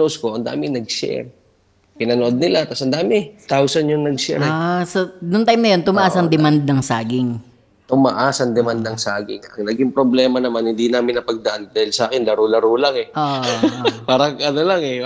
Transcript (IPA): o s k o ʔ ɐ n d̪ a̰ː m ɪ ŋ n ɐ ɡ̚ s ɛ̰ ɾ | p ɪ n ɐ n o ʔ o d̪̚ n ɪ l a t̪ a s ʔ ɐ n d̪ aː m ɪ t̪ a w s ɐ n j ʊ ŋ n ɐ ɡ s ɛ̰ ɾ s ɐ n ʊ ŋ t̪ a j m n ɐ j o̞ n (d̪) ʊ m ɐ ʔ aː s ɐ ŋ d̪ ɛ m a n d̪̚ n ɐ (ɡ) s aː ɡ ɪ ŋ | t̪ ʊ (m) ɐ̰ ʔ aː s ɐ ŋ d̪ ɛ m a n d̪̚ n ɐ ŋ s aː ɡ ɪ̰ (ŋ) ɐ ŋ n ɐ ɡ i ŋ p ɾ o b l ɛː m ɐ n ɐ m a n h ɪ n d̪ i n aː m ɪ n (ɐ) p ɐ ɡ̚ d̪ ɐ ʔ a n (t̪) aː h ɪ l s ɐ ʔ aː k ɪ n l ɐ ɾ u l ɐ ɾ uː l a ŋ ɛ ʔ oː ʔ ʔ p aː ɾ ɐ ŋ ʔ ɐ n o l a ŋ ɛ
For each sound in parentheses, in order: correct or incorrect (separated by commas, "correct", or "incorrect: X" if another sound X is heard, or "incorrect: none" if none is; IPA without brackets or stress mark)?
incorrect: t̪, incorrect: ŋ, correct, correct, correct, incorrect: d̪